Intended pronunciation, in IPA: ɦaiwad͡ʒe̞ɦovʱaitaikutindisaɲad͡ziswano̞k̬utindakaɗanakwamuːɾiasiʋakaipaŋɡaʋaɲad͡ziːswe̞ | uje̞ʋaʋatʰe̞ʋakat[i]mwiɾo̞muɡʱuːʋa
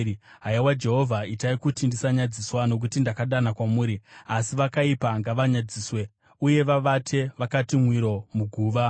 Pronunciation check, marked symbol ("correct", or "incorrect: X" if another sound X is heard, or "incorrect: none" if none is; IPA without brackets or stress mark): correct